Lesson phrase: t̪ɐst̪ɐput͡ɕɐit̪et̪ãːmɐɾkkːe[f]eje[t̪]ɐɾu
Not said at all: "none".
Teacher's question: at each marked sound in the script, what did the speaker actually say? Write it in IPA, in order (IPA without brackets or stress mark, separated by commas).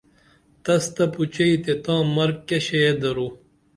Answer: ɕ, d̪